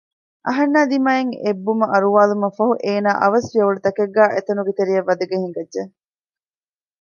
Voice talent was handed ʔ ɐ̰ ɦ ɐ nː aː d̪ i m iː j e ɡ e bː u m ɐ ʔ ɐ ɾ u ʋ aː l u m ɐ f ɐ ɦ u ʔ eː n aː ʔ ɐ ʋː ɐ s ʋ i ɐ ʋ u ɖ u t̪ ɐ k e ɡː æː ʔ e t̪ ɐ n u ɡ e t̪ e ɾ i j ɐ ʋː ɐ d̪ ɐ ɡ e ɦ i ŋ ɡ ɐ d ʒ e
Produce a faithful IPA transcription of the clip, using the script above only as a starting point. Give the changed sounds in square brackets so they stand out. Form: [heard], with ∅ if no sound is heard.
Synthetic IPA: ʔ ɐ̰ ɦ ɐ nː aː d̪ i m [aː] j e [ŋ] e bː u m ɐ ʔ ɐ ɾ u ʋ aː l u m ɐ f ɐ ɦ u ʔ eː n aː ʔ ɐ [ʋ] ɐ s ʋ i ɐ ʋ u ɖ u t̪ ɐ k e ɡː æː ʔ e t̪ ɐ n u ɡ e t̪ e ɾ i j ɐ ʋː ɐ d̪ ɐ ɡ e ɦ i ŋ ɡ ɐ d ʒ e